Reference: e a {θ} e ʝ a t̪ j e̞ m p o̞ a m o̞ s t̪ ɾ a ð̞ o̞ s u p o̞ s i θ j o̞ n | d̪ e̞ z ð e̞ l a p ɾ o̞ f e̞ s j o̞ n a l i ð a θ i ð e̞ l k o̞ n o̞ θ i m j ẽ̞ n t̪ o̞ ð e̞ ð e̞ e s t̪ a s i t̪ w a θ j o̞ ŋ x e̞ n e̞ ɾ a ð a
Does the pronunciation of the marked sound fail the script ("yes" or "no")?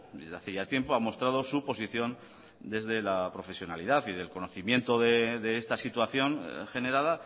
no